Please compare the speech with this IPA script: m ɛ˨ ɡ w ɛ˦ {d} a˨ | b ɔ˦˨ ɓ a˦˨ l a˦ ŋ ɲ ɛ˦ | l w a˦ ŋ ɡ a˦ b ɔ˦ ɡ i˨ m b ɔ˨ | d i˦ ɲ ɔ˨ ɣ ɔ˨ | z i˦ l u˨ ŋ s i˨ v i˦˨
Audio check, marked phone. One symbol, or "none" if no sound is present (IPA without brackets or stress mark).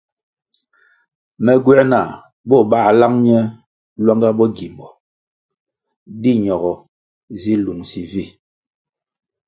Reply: n